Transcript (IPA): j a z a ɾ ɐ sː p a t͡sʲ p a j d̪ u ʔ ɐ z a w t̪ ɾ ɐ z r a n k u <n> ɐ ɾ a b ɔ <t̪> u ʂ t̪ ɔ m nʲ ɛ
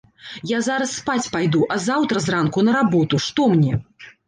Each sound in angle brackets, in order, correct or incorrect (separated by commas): correct, correct